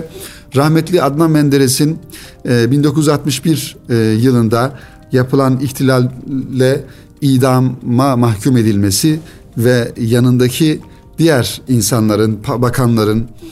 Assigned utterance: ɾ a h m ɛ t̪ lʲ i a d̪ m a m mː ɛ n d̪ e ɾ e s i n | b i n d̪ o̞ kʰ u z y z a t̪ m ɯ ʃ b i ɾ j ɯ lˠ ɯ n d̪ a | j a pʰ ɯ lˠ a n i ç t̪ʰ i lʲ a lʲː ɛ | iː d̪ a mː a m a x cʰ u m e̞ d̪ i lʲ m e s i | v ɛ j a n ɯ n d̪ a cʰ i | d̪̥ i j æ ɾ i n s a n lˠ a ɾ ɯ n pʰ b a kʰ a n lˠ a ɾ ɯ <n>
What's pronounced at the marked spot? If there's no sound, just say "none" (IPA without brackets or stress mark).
n